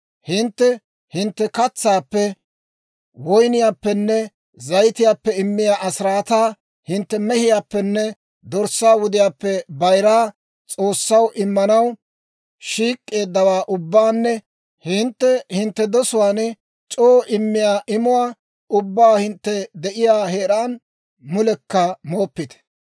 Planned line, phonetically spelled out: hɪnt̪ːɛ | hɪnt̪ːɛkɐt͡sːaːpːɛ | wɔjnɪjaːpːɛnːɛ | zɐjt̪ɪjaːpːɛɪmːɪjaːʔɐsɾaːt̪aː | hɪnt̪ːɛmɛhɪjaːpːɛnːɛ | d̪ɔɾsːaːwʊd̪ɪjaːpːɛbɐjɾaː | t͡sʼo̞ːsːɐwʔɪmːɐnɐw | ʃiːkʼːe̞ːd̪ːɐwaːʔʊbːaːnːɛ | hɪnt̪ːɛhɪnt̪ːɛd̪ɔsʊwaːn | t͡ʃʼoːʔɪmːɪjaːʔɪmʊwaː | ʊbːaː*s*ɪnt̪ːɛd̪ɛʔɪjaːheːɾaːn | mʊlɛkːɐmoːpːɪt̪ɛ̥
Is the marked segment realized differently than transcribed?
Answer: yes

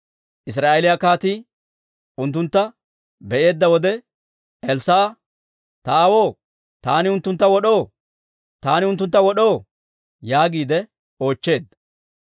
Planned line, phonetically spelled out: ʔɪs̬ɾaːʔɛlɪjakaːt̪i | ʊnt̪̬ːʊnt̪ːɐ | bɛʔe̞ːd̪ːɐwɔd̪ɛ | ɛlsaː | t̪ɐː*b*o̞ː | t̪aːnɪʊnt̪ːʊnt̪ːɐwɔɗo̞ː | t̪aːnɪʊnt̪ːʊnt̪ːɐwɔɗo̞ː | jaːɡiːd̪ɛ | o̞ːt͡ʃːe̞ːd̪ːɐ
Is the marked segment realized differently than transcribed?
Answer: yes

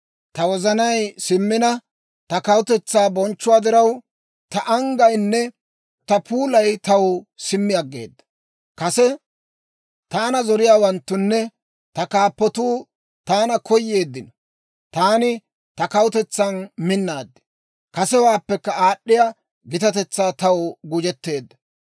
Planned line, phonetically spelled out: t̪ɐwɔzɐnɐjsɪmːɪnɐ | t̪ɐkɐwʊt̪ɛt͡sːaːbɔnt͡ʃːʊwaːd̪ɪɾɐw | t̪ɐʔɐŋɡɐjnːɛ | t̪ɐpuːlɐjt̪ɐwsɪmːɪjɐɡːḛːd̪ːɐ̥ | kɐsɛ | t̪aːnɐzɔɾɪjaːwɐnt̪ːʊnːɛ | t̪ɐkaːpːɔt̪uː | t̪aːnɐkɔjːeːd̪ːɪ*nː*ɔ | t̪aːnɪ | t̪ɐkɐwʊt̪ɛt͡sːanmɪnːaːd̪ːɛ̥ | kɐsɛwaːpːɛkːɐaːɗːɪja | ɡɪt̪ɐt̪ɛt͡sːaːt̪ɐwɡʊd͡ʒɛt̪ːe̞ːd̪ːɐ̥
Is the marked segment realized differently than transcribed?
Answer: yes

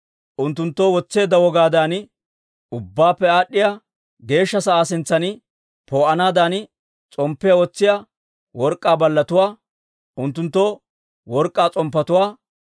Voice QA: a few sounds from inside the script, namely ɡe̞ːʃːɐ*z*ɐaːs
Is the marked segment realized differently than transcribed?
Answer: yes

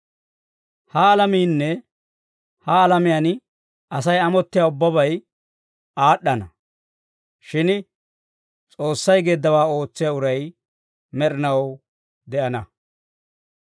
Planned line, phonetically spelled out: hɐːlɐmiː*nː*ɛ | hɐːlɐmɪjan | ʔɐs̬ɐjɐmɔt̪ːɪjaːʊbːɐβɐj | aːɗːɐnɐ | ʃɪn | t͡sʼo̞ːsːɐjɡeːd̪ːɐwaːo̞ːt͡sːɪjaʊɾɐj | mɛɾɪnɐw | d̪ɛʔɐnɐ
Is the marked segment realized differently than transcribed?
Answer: no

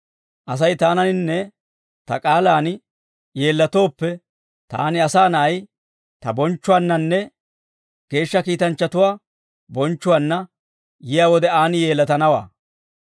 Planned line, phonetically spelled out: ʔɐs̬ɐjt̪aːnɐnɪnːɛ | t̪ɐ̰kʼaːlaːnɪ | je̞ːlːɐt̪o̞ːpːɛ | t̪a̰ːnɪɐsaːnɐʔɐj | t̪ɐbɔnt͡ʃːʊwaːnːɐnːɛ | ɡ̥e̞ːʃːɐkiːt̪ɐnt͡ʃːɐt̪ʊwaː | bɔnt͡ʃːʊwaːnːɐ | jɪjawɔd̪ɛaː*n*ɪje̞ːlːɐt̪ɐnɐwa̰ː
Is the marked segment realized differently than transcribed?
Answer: no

